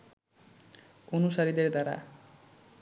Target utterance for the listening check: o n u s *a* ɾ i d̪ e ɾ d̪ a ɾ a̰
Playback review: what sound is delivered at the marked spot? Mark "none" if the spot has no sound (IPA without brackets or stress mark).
a